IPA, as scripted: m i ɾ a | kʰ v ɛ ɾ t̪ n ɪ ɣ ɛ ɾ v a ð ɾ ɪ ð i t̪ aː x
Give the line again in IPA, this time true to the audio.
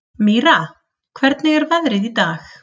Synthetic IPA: m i ɾ a | kʰ v ɛ ɾ t̪ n ɪ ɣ ɛ ɾ v a ð ɾ ɪ ð i t̪ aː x